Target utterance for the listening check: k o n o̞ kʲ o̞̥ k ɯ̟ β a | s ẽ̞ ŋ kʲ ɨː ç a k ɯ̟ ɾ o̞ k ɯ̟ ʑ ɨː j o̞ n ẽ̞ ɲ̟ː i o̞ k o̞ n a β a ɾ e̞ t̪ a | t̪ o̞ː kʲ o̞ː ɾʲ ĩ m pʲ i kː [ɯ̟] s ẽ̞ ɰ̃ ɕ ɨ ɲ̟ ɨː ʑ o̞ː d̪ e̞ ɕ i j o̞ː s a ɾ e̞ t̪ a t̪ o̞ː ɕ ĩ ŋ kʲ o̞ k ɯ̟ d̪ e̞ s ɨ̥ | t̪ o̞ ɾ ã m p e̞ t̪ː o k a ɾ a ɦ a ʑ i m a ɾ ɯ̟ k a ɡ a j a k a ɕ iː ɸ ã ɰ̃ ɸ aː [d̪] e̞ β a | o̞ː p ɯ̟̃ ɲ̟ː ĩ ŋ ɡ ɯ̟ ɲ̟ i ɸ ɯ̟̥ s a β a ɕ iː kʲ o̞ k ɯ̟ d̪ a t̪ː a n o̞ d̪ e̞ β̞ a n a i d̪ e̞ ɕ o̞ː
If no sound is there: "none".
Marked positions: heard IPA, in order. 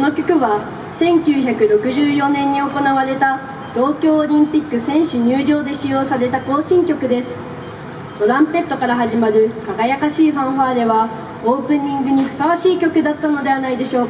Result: ɯ̟, d̪

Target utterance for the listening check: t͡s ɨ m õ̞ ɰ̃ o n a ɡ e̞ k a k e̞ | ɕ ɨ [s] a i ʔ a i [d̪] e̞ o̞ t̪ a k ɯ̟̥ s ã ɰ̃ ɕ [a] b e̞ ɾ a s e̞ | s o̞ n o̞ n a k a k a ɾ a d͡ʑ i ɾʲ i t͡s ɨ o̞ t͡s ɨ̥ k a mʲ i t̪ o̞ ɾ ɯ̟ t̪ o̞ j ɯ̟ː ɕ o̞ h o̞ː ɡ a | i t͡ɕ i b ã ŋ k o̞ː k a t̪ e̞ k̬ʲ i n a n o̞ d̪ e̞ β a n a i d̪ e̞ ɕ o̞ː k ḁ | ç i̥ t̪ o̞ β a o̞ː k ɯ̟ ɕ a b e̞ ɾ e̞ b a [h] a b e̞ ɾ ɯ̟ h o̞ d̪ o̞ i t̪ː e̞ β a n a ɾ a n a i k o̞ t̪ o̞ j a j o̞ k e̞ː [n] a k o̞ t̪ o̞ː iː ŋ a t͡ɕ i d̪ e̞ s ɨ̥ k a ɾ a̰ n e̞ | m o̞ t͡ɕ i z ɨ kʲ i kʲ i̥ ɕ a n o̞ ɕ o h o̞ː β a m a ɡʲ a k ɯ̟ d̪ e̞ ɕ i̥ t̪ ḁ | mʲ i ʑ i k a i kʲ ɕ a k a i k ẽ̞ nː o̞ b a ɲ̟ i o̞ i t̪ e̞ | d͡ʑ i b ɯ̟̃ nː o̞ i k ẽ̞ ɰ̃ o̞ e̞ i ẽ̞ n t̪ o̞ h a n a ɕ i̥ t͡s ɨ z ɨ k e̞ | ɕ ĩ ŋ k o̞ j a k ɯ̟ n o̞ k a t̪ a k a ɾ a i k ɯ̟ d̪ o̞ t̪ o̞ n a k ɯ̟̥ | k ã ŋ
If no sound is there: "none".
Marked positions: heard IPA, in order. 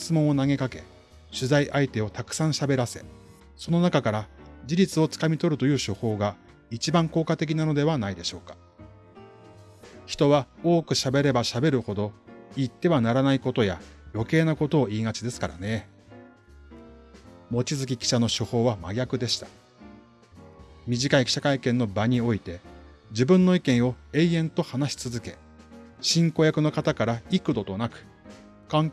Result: z, t̪, a, ɕ, n

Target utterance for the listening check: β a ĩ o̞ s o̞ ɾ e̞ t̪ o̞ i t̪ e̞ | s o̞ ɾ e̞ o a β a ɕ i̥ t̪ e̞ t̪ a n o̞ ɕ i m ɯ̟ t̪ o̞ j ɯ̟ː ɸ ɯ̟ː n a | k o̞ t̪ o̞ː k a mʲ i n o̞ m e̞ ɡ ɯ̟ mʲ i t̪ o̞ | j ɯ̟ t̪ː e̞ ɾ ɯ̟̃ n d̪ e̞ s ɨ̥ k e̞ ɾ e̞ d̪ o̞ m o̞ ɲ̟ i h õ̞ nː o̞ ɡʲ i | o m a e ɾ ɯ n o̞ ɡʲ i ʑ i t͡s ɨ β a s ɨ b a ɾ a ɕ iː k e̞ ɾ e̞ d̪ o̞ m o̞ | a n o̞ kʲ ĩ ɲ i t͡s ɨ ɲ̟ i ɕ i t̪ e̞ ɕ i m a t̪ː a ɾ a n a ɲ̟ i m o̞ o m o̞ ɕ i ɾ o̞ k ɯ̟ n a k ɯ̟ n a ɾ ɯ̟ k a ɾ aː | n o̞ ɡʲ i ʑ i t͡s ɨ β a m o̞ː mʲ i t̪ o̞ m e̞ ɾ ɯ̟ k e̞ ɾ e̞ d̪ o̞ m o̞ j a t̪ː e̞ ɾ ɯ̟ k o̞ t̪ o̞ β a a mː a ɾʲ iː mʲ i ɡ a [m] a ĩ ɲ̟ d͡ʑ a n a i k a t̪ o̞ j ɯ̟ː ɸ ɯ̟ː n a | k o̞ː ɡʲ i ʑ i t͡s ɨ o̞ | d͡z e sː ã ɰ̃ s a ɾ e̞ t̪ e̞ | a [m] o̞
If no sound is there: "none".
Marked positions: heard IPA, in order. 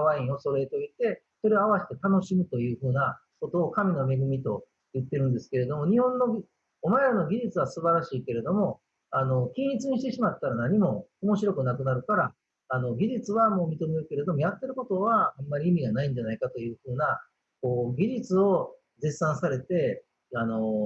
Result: n, n

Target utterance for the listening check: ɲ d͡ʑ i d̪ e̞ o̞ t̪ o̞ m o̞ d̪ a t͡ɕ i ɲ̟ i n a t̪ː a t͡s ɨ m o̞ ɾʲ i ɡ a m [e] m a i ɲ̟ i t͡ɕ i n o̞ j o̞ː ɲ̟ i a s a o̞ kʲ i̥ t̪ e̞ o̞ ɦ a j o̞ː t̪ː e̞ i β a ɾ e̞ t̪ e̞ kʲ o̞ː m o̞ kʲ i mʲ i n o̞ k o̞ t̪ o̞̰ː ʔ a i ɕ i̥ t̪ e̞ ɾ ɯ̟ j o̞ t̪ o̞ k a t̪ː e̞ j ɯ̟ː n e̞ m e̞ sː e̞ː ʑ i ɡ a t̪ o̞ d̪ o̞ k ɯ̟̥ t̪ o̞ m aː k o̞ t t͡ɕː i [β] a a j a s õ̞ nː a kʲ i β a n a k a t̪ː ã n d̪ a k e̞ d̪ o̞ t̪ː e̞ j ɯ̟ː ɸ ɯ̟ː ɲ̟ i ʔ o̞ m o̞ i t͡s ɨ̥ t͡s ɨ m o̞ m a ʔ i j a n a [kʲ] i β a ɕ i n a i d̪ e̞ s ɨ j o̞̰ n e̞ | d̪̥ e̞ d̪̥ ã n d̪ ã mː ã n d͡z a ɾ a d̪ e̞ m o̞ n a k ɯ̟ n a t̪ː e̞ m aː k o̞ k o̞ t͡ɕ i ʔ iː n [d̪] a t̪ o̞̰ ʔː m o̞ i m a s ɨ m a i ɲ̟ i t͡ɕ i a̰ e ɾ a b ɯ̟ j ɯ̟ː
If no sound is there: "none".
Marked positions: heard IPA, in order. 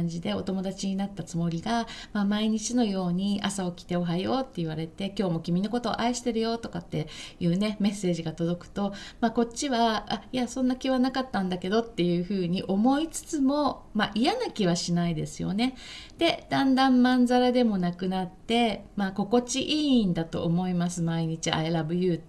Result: a, β, kʲ, d̪

